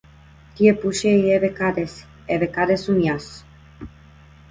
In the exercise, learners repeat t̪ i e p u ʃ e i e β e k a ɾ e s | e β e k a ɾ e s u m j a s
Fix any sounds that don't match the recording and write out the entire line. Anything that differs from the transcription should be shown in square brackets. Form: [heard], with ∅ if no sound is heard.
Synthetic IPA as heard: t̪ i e p u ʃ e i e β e k a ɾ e s | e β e k a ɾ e s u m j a s

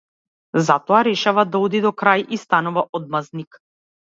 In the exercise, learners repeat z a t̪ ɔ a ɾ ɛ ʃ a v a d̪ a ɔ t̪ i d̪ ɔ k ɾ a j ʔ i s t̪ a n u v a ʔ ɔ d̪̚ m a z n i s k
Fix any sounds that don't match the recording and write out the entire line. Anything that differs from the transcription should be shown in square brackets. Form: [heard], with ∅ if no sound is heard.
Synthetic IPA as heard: z a t̪ ɔ a ɾ ɛ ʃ a v a d̪ a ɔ [d̪] i d̪ ɔ k ɾ a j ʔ i s t̪ a n u v a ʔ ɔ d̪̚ m a z n i [∅] k

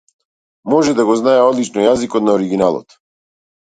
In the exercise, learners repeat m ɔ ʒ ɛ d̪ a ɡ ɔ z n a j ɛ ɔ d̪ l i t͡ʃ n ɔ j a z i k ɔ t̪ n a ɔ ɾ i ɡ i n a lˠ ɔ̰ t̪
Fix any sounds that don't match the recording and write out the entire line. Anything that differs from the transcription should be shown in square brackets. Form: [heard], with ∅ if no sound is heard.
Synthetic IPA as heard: m ɔ ʒ ɛ d̪ a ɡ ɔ z n a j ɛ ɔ d̪ l i t͡ʃ n ɔ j a z i k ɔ t̪ n a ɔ ɾ i ɡ i n a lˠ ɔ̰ t̪

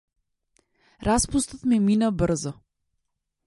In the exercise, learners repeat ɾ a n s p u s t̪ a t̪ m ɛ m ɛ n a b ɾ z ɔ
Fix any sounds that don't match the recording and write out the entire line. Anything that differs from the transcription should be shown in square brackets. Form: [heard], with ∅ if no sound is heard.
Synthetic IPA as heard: ɾ a [∅] s p u s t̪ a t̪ m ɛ m [i] n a b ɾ z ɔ

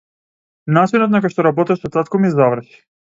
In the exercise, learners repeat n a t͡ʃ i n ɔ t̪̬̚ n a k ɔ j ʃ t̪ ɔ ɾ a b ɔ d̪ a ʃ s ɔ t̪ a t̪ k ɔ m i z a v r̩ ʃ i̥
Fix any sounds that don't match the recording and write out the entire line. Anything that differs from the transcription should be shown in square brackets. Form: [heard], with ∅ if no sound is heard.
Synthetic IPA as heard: n a t͡ʃ i n ɔ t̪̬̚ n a k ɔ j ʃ t̪ ɔ ɾ a b ɔ [t̪] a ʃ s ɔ t̪ a t̪ k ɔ m i z a v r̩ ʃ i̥

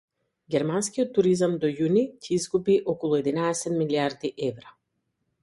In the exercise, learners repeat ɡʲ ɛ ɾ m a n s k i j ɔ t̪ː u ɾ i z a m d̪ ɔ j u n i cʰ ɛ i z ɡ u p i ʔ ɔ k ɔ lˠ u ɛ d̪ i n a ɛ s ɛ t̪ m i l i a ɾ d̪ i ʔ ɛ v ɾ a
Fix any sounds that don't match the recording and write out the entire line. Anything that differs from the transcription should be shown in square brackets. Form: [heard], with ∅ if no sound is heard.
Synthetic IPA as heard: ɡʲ ɛ ɾ m a n s k i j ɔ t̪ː u ɾ i z a m d̪ ɔ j u n i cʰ ɛ i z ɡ u p i ʔ ɔ k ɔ lˠ u ɛ d̪ i n a ɛ s ɛ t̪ m i l i a ɾ d̪ i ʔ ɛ v ɾ a

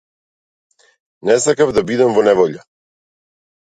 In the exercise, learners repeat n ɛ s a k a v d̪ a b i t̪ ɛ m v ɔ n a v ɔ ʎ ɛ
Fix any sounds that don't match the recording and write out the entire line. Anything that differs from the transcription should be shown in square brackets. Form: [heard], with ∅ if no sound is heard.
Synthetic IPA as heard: n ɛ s a k a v d̪ a b i [d̪] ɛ m v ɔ n [ɛ] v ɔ ʎ [a]

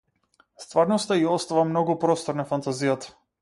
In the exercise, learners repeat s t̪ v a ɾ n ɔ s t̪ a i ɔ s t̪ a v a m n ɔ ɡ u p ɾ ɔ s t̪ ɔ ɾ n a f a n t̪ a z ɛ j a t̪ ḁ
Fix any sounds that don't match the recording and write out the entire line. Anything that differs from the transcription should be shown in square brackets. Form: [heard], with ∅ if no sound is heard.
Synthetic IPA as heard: s t̪ v a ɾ n ɔ s t̪ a i ɔ s t̪ a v a m n ɔ ɡ u p ɾ ɔ s t̪ ɔ ɾ n a f a n t̪ a z [i] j a t̪ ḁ

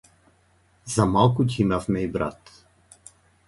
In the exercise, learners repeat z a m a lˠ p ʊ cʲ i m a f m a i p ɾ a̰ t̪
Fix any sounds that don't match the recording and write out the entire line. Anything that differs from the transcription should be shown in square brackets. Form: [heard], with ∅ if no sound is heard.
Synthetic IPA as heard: z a m a lˠ [k] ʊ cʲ i m a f m [ɛ] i [b] ɾ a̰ t̪

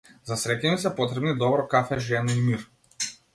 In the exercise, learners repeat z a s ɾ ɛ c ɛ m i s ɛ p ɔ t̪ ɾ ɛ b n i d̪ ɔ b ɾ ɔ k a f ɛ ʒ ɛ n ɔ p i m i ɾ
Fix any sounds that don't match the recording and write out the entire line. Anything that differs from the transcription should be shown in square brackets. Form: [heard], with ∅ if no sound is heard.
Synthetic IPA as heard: z a s ɾ ɛ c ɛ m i s ɛ p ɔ t̪ ɾ ɛ b n i d̪ ɔ b ɾ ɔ k a f ɛ ʒ ɛ n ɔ [∅] i m i ɾ

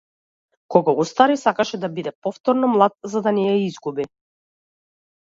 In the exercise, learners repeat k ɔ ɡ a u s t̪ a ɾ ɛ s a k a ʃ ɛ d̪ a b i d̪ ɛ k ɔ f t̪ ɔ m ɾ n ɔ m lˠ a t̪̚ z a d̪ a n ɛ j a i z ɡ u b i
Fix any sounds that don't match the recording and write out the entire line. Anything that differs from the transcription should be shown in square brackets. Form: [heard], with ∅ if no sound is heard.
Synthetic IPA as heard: k ɔ ɡ a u s t̪ a ɾ [i] s a k a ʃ ɛ d̪ a b i d̪ ɛ [p] ɔ f t̪ ɔ [∅] ɾ n ɔ m lˠ a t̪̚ z a d̪ a n ɛ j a i z ɡ u b i

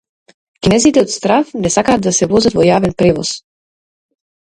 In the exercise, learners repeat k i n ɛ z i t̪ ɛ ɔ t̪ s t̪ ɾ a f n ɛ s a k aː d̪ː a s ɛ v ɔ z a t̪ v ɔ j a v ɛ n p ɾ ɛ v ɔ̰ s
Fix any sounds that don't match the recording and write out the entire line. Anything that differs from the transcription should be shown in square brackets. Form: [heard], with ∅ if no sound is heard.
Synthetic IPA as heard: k i n ɛ z i t̪ ɛ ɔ t̪ s t̪ ɾ a f n ɛ s a k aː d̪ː a s ɛ v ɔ z a t̪ v ɔ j a v ɛ n p ɾ ɛ v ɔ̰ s

